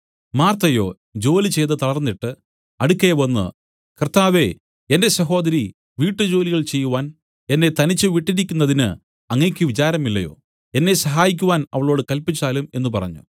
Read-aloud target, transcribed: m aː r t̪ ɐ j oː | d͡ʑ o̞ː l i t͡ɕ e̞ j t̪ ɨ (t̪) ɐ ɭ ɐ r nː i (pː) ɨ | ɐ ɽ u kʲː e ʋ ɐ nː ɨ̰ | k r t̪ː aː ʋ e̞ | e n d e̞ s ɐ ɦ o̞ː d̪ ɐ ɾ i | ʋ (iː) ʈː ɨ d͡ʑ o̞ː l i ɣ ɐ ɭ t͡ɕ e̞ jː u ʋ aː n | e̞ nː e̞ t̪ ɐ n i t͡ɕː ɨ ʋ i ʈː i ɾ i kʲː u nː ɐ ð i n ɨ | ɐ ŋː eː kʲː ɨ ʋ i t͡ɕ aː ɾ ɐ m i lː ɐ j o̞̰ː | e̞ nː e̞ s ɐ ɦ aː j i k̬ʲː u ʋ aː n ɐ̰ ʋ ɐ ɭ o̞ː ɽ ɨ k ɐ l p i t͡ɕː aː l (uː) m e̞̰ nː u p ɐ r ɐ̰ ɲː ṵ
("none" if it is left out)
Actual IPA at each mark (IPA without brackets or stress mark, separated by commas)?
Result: t̪, ʈː, iː, u